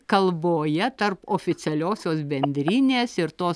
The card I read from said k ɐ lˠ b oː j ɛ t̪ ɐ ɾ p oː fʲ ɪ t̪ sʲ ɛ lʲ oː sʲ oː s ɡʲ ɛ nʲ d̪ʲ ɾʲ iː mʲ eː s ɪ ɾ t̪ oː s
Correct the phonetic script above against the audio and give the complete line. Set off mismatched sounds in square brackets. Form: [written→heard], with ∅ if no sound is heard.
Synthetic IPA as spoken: k ɐ lˠ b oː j ɛ t̪ ɐ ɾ p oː fʲ ɪ t̪ sʲ ɛ lʲ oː sʲ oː s [ɡʲ→bʲ] ɛ nʲ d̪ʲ ɾʲ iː [mʲ→nʲ] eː s ɪ ɾ t̪ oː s